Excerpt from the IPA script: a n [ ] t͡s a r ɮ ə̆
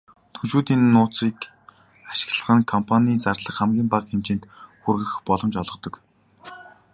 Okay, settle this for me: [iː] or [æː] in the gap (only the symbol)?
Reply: iː